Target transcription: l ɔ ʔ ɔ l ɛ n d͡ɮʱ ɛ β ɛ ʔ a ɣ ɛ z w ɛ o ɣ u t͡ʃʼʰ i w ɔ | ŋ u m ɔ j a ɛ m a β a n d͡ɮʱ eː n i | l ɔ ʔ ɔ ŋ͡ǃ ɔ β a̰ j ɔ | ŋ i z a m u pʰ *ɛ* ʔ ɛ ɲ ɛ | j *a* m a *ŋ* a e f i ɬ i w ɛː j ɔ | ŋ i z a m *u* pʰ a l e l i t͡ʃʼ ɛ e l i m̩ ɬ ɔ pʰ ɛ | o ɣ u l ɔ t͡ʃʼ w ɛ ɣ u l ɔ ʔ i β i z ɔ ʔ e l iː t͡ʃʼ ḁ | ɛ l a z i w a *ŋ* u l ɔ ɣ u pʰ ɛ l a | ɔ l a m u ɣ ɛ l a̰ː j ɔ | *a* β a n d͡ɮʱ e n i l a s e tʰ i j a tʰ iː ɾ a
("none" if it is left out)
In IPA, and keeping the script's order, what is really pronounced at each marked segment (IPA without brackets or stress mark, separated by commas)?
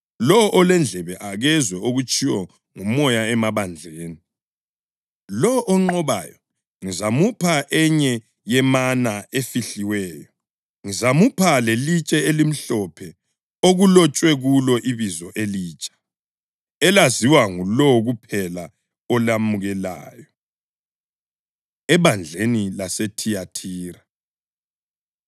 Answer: a, ɛ, n, u, ŋ, ɛ